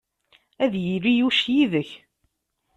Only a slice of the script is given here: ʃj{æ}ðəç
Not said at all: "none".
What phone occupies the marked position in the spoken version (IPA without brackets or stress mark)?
i